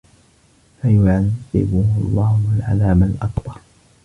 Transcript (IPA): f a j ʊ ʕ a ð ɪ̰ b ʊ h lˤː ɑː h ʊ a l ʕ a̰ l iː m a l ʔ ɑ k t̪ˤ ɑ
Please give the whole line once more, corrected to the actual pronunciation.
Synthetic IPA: f a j ʊ ʕ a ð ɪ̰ b ʊ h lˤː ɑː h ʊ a l ʕ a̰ l aː m a l ʔ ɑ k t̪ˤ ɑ